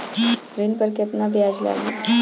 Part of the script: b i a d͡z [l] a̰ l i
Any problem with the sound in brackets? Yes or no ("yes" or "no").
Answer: no